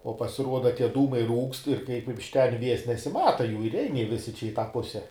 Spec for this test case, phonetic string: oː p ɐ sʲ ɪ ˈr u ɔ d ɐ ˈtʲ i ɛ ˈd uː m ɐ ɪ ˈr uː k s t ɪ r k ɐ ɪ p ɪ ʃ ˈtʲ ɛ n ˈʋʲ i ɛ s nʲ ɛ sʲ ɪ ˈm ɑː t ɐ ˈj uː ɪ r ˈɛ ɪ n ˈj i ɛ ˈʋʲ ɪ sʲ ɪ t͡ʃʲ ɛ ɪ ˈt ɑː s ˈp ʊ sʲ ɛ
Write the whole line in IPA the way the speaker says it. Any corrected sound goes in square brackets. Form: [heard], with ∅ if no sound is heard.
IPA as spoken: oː p ɐ sʲ ɪ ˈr u ɔ d ɐ ˈtʲ i ɛ ˈd uː m ɐ ɪ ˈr uː k s t ɪ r k ɐ ɪ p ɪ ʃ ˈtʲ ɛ n ˈʋʲ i ɛ s nʲ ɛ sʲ ɪ ˈm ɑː t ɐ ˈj uː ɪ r ˈɛ ɪ n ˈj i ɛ ˈʋʲ ɪ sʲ ɪ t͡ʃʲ ɛ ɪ ˈt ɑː [∅] ˈp ʊ sʲ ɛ